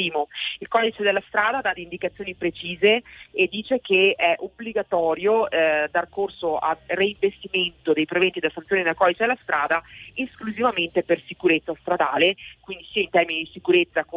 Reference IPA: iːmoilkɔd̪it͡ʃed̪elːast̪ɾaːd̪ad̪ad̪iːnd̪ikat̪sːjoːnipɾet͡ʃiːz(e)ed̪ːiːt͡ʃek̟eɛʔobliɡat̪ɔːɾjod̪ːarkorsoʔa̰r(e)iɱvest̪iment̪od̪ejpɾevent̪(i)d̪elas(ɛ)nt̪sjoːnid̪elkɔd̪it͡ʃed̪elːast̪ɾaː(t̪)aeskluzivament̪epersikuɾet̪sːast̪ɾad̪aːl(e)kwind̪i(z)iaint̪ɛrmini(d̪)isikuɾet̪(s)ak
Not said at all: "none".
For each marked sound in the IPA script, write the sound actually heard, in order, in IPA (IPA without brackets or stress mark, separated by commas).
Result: e, e, i, a, d̪, e, s, d̪, sː